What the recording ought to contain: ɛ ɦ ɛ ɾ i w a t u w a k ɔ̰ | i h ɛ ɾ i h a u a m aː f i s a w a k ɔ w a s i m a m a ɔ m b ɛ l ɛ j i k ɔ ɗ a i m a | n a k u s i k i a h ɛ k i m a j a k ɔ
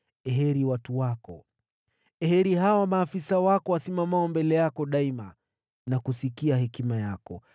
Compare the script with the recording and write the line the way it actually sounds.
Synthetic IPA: ɛ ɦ ɛ ɾ i w a t u w a k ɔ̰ | ɛ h ɛ ɾ i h a w a m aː f i s a w a k ɔ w a s i m a m a ɔ m b ɛ l ɛ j a k ɔ ɗ a i m a | n a k u s i k i a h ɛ k i m a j a k ɔ